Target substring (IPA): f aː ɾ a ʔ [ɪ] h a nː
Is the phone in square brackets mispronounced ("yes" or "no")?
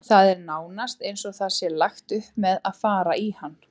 yes